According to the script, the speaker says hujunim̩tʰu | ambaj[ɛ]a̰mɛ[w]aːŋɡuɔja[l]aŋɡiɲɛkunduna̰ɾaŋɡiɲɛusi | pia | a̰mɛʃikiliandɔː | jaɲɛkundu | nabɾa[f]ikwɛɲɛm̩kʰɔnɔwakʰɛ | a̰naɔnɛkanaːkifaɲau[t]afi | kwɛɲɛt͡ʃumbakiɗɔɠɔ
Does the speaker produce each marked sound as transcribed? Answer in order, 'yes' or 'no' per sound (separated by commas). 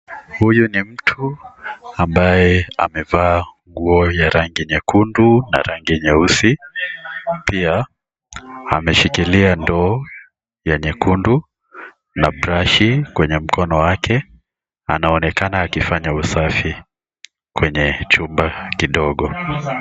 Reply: yes, no, no, no, no